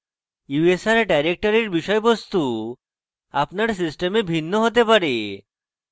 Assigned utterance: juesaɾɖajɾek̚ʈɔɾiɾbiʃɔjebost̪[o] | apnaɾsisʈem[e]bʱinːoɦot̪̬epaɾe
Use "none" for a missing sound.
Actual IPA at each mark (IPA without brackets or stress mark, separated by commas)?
u, e